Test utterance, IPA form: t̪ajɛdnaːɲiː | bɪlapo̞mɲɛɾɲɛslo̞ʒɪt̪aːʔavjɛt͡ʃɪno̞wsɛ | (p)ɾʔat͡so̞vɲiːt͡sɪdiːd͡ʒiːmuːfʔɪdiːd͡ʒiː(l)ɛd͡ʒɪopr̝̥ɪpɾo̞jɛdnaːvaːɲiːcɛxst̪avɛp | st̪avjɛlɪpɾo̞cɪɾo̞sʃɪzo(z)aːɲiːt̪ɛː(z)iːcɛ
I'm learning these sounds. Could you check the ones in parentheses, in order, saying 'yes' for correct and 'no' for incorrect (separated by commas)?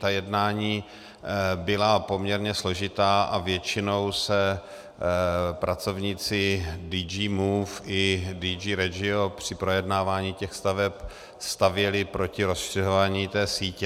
yes, no, no, no